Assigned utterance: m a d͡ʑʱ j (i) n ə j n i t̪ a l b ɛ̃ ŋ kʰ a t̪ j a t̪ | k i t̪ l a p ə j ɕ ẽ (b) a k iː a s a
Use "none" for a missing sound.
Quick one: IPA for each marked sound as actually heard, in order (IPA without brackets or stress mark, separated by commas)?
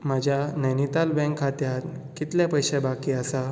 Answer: a, b